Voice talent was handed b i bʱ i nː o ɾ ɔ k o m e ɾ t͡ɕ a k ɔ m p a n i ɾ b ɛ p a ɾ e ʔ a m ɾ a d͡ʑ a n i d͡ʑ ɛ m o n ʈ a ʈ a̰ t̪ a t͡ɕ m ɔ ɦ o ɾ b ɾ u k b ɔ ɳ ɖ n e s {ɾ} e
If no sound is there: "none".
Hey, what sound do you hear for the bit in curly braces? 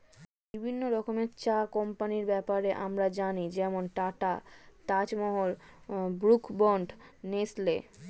l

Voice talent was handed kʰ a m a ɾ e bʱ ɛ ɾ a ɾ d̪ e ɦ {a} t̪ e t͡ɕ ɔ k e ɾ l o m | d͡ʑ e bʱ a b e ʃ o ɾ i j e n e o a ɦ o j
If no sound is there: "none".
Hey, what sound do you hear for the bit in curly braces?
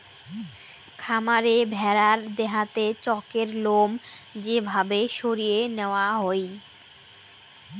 a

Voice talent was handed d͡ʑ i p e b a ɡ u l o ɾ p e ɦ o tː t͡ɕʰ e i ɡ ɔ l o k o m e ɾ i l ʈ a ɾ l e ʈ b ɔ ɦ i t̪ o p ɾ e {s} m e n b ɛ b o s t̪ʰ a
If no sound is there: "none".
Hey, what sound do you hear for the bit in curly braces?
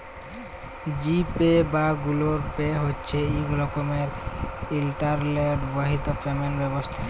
none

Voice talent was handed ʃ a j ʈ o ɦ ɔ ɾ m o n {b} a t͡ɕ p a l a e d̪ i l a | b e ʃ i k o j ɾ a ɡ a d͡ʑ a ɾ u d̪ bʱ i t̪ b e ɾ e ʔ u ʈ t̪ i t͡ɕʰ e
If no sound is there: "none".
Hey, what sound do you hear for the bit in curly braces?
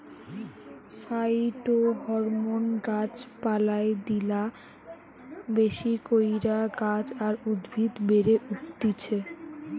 ɡ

